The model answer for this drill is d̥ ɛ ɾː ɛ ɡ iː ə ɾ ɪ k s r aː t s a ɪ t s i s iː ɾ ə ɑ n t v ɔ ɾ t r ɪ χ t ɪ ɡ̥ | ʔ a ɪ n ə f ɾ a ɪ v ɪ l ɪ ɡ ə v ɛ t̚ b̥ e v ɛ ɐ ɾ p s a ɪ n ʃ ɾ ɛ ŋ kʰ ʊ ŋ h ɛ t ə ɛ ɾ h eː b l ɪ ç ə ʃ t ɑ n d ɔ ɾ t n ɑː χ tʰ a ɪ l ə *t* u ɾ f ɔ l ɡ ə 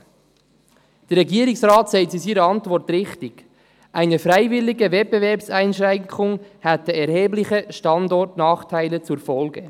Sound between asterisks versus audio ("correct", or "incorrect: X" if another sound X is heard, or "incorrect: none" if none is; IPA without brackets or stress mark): incorrect: t͡s